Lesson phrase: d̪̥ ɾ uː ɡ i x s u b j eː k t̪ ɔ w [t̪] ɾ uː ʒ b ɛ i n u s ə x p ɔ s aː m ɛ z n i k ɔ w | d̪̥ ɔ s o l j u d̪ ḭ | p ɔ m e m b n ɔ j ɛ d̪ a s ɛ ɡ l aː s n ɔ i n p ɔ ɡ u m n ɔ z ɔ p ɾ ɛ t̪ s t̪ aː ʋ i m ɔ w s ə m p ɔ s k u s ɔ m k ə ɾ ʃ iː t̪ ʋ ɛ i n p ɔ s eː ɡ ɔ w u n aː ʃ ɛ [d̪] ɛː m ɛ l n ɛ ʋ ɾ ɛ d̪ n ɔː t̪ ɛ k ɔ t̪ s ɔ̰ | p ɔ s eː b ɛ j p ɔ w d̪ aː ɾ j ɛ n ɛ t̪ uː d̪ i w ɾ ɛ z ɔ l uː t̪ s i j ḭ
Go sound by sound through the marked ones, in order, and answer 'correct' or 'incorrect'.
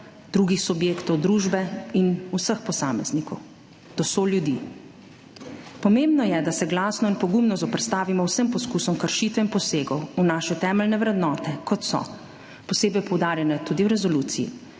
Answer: incorrect, incorrect

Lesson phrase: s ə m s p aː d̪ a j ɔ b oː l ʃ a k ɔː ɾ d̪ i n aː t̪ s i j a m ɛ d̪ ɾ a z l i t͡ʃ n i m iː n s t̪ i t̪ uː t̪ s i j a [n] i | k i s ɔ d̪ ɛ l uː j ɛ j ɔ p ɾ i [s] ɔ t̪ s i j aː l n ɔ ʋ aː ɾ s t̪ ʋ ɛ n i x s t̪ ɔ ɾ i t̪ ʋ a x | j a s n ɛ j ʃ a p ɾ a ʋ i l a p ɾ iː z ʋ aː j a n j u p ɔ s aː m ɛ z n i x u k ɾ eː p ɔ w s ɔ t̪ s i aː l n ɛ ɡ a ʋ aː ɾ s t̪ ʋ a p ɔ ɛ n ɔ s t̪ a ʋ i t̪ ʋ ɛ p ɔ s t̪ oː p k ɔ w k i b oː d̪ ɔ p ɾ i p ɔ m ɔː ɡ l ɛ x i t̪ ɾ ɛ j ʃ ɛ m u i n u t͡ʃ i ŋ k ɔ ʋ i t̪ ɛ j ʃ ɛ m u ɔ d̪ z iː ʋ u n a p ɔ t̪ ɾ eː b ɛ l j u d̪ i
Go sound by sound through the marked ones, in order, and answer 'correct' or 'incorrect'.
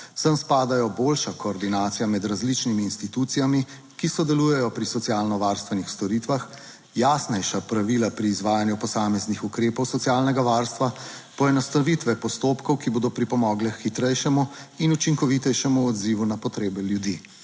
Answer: incorrect, correct

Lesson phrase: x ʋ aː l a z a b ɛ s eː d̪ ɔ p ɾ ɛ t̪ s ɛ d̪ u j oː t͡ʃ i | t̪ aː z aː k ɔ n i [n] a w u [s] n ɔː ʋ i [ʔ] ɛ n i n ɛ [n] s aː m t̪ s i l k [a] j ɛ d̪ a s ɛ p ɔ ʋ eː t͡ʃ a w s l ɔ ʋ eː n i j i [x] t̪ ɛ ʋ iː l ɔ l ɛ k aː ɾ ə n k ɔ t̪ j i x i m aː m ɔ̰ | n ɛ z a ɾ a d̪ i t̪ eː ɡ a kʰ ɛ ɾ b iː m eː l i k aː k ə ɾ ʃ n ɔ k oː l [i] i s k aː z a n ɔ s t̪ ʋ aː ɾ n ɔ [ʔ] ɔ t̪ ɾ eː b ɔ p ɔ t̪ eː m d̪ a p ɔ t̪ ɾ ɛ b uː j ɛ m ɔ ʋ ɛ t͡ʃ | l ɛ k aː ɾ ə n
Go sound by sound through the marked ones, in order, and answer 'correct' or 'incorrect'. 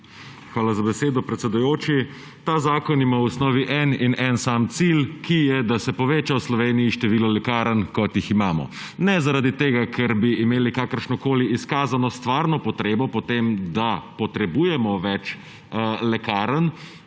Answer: incorrect, correct, correct, correct, incorrect, incorrect, correct, incorrect

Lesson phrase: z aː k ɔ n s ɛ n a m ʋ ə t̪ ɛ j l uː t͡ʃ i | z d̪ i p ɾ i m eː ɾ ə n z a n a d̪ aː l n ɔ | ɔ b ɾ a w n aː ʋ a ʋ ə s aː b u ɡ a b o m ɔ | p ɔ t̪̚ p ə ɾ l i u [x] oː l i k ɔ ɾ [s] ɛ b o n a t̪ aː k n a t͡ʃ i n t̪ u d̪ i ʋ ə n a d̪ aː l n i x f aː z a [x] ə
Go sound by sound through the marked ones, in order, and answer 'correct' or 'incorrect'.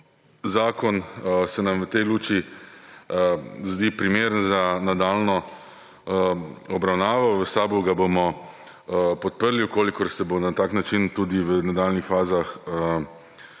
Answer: incorrect, correct, correct

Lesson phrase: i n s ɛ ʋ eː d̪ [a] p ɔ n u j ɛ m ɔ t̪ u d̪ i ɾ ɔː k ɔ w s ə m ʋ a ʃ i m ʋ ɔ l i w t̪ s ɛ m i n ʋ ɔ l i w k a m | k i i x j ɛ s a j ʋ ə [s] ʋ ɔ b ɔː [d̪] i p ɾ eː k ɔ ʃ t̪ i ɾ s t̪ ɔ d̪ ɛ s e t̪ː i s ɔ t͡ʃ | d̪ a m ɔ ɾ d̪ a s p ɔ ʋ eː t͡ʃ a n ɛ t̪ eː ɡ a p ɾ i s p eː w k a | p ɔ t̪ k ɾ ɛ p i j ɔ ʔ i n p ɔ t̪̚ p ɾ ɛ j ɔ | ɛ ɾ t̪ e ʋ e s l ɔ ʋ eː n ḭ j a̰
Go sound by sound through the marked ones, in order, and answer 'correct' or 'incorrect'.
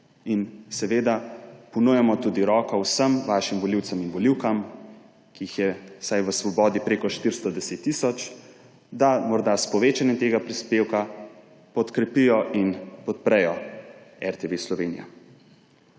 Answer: correct, correct, correct

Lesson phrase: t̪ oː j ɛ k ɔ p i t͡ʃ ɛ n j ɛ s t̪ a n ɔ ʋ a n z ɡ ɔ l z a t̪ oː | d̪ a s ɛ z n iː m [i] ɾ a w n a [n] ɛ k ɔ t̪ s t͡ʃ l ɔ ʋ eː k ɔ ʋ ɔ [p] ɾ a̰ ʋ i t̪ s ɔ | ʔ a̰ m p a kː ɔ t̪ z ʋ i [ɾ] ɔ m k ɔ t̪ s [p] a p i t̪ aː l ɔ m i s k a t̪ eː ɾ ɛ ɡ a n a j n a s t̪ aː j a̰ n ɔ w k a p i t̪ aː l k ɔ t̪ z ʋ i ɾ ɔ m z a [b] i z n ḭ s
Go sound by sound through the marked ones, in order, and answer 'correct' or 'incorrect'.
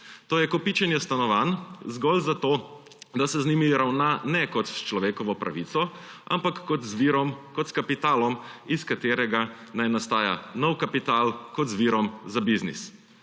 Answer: correct, correct, correct, correct, incorrect, correct

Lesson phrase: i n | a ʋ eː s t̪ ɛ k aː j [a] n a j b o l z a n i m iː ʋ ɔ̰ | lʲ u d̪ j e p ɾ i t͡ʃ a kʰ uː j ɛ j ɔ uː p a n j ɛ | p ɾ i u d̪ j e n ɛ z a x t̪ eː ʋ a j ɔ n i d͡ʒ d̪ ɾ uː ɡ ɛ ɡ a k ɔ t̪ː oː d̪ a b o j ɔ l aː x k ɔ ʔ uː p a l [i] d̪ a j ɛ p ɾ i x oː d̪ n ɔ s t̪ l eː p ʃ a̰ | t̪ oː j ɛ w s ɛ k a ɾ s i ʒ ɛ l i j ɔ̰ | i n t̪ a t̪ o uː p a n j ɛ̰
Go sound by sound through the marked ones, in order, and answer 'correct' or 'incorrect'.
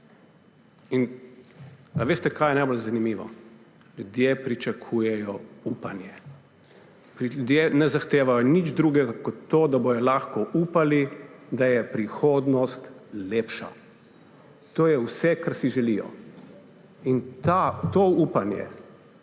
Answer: incorrect, correct

